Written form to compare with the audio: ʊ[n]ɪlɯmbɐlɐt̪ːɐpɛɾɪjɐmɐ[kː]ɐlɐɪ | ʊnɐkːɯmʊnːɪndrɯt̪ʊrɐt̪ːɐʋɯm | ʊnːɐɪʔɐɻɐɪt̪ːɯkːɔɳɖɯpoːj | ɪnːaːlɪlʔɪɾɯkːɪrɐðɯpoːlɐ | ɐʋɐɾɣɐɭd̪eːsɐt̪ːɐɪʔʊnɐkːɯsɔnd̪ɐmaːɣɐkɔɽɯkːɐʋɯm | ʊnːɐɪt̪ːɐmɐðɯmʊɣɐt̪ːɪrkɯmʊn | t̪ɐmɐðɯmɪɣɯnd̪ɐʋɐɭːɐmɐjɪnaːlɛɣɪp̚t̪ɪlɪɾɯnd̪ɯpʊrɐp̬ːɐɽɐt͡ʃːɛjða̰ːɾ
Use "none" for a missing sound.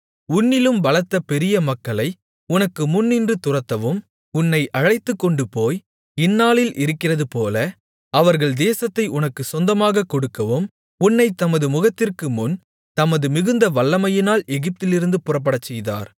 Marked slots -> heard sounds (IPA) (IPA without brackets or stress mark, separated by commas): nː, kː